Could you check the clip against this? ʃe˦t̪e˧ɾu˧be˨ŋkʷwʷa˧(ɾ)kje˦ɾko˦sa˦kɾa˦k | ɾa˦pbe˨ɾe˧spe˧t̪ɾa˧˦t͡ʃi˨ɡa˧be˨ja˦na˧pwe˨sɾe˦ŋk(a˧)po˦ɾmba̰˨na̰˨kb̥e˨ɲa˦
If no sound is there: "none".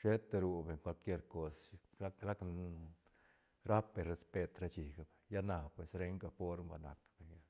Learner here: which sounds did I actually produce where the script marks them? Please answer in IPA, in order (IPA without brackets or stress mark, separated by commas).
l, a˧